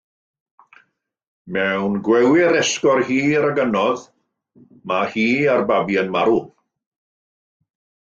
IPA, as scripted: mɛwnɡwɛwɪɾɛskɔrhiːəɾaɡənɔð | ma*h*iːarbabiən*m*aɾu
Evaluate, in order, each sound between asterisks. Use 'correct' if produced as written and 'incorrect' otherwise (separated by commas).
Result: correct, correct